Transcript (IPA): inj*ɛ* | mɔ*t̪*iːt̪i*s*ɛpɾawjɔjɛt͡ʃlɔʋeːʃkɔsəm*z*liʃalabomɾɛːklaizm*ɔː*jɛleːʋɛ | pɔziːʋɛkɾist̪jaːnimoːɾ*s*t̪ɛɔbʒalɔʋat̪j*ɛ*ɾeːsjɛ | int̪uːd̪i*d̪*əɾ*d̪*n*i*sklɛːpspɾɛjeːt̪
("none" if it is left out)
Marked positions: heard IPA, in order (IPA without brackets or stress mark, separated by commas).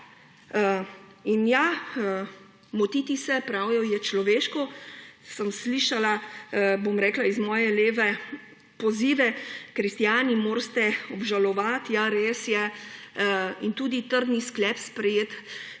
a, t̪, s, s, ɔː, s, a, t̪, d̪, i